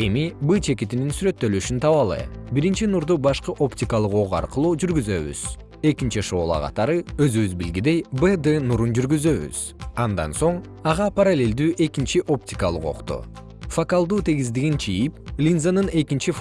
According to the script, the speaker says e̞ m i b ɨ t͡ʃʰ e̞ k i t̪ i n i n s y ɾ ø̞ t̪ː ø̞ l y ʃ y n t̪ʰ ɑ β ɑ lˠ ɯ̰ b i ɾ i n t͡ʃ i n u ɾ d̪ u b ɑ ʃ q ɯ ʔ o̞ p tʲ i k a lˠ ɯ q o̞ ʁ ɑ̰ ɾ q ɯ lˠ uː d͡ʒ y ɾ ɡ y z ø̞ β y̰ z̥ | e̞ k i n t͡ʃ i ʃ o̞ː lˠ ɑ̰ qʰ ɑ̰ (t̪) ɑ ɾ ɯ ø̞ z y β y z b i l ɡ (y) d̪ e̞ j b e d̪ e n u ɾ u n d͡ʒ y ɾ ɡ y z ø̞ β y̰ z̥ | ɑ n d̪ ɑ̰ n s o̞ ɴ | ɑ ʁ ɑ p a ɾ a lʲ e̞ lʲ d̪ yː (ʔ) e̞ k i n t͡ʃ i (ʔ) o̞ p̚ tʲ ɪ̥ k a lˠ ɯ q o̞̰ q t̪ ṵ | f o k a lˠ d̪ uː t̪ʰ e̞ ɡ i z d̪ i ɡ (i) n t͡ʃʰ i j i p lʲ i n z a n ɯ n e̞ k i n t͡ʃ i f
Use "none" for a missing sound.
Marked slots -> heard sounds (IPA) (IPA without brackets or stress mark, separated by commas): t̪, i, ʔ, ʔ, i